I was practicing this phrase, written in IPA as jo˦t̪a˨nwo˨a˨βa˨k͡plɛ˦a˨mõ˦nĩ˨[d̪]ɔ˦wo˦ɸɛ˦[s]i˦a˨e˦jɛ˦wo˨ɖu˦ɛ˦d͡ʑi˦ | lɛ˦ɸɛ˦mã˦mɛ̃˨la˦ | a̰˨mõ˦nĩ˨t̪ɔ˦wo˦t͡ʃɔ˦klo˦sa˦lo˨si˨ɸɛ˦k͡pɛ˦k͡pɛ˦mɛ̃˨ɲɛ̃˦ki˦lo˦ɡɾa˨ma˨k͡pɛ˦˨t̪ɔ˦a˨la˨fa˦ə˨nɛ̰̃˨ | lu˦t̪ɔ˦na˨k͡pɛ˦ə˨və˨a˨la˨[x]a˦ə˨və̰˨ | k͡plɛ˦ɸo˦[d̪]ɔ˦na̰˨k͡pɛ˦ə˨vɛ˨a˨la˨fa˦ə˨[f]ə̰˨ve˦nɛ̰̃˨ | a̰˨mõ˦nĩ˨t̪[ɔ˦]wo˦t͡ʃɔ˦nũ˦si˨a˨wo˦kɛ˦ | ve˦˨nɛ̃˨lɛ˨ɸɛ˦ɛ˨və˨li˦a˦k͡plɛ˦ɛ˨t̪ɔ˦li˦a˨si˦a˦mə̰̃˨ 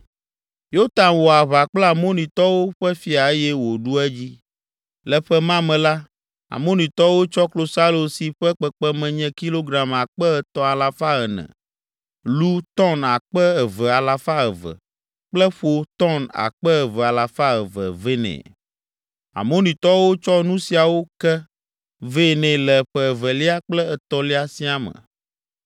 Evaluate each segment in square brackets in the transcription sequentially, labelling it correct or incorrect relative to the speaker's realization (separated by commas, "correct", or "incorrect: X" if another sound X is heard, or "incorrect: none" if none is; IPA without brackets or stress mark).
incorrect: t̪, incorrect: f, incorrect: f, incorrect: t̪, incorrect: v, correct